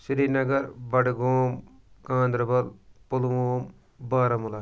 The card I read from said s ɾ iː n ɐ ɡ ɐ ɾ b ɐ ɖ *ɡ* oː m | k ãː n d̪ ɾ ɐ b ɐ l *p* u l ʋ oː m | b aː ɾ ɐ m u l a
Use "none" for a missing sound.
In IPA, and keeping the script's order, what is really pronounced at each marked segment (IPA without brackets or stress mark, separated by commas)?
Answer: ɡ, p